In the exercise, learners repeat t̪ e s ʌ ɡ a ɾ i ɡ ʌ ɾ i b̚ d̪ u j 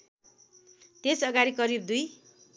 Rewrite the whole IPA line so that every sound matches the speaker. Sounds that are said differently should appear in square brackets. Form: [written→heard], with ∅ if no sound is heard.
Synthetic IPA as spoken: t̪ e s ʌ ɡ a ɾ i [ɡ→k] ʌ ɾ i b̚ d̪ u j